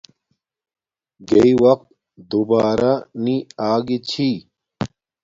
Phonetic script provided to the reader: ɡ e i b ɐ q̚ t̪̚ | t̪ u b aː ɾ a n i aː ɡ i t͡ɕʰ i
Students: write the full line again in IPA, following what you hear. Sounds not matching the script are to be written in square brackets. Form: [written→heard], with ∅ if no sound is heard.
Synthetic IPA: ɡ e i [b→w] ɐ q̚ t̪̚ | [t̪→d̪] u b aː ɾ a n i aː ɡ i t͡ɕʰ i